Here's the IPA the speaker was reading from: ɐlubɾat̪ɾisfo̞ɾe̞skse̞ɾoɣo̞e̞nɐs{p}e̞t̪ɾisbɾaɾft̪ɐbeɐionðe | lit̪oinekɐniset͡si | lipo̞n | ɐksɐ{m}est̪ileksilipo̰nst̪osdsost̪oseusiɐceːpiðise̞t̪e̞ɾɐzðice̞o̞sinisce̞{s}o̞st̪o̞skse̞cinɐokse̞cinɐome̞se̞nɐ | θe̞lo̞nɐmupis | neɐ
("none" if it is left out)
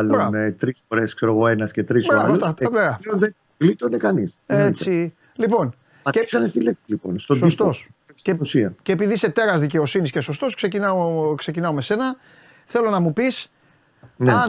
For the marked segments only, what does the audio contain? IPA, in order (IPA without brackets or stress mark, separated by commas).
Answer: c, n, s